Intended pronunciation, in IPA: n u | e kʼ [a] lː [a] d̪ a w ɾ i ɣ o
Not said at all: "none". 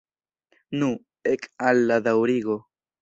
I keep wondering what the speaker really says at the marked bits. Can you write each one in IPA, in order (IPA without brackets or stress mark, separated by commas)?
a, a